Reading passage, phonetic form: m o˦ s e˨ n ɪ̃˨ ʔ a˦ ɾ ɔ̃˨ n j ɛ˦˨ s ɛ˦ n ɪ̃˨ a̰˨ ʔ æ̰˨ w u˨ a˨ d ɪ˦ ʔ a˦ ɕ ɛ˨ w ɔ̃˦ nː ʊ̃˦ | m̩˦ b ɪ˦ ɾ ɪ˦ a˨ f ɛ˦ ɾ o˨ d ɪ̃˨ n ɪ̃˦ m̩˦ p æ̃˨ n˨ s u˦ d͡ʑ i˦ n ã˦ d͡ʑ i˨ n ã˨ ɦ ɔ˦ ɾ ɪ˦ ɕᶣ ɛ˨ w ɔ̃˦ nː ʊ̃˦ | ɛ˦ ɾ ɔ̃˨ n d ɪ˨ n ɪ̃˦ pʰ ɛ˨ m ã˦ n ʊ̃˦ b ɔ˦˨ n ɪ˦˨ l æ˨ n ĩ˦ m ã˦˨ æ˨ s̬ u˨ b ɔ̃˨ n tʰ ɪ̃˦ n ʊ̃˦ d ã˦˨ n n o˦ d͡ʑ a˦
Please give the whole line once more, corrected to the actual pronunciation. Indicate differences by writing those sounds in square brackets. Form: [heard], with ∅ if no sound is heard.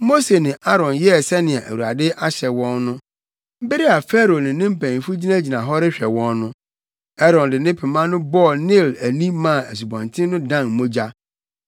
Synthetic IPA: m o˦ s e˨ n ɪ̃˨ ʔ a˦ ɾ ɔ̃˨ n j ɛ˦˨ s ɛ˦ n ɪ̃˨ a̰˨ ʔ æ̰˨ w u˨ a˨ d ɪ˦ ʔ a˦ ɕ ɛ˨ w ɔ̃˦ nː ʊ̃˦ | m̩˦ b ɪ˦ ɾ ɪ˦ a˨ f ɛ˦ ɾ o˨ [n] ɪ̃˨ n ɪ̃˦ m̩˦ p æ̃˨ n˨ [f] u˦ d͡ʑ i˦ n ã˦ d͡ʑ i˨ n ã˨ ɦ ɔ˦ ɾ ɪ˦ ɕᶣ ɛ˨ w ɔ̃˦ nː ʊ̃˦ | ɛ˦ ɾ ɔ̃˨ n d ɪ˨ n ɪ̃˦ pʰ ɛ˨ m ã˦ n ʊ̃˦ b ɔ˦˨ n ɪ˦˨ l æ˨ n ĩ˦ m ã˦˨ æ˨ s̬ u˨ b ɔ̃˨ n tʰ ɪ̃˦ n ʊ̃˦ d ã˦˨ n [m] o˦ d͡ʑ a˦